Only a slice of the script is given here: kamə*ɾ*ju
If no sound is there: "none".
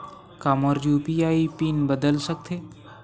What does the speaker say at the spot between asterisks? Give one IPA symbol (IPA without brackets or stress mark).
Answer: ɾ